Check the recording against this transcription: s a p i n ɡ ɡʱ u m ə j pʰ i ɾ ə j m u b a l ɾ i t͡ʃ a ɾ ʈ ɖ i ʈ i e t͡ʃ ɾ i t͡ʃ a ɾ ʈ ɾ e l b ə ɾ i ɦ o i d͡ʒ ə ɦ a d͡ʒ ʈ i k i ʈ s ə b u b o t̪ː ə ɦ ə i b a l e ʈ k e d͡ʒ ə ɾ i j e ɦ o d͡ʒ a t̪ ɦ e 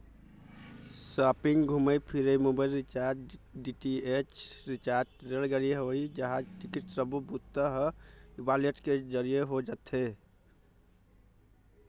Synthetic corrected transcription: s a p i ŋ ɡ ɡʱ u m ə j pʰ i ɾ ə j m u b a l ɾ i t͡ʃ a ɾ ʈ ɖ i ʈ i e t͡ʃ ɾ i t͡ʃ a ɾ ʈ ɾ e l ɡ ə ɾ i ɦ o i d͡ʒ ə ɦ a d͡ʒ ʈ i k i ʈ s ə b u b u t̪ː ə ɦ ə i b a l e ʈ k e d͡ʒ ə ɾ i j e ɦ o d͡ʒ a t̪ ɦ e